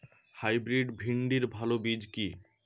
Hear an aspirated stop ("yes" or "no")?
no